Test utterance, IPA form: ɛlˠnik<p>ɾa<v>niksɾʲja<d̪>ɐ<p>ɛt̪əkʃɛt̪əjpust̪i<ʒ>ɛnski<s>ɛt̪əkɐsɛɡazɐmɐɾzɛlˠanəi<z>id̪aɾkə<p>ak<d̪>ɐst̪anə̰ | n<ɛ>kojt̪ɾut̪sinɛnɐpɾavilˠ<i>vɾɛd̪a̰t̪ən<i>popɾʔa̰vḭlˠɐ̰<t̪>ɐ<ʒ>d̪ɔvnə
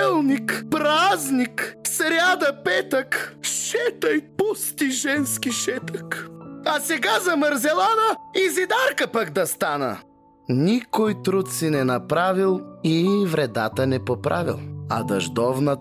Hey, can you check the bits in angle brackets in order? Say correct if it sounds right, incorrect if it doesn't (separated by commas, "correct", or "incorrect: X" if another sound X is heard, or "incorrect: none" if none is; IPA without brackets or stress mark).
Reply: correct, incorrect: z, correct, correct, correct, incorrect: ʃ, correct, correct, correct, incorrect: i, correct, incorrect: ɛ, incorrect: d̪, correct